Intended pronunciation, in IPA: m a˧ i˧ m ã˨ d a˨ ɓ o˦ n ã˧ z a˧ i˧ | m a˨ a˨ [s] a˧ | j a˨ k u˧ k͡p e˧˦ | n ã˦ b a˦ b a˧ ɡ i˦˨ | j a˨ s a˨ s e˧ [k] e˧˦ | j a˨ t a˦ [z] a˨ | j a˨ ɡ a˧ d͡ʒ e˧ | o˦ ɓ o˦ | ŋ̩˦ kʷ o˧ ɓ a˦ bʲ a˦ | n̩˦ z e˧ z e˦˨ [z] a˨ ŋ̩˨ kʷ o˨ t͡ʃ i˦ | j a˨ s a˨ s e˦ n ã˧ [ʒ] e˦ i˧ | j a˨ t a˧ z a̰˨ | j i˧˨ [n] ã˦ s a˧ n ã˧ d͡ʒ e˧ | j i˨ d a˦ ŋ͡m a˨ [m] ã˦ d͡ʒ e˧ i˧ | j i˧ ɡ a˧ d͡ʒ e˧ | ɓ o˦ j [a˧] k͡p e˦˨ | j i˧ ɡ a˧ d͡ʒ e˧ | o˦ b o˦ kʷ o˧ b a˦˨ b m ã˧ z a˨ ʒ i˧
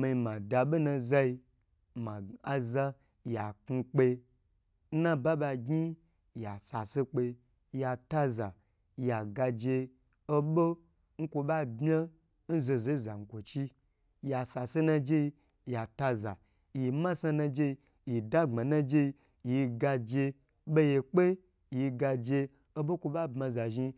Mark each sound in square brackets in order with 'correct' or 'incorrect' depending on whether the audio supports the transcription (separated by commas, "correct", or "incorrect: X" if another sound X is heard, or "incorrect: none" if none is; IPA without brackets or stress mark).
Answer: incorrect: z, incorrect: k͡p, correct, correct, incorrect: d͡ʒ, incorrect: m, incorrect: n, incorrect: e˧